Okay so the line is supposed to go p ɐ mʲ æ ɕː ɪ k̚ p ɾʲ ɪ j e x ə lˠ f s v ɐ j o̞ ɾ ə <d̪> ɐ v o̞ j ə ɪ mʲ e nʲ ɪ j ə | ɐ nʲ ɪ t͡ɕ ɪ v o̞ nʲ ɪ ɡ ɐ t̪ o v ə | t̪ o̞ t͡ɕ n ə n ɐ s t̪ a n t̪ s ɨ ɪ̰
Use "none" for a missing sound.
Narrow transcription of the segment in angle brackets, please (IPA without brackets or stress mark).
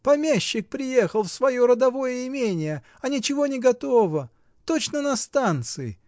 d̪